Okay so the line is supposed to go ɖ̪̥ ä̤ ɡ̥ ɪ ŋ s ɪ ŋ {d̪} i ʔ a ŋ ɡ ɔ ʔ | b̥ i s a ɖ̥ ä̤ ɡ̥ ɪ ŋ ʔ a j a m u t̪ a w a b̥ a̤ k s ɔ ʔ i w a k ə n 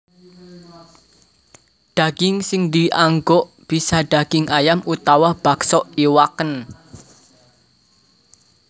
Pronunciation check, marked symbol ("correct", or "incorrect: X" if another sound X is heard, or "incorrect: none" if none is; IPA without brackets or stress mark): correct